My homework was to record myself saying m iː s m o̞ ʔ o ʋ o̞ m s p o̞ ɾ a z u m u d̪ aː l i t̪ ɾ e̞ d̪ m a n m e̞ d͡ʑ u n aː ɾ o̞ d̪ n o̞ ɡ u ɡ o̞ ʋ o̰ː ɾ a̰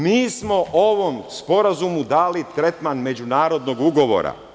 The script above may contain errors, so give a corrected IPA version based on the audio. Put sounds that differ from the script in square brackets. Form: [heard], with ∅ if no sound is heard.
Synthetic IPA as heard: m iː s m o̞ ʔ o ʋ o̞ m s p o̞ ɾ a z u m u d̪ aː l i t̪ ɾ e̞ [t̪] m a n m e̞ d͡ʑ u n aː ɾ o̞ d̪ n o̞ ɡ u ɡ o̞ ʋ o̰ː ɾ a̰